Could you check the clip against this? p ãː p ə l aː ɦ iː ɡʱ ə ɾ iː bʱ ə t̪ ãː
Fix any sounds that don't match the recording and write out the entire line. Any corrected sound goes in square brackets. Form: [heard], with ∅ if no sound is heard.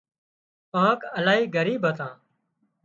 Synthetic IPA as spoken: p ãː [k] ə l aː ɦ iː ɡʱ ə ɾ iː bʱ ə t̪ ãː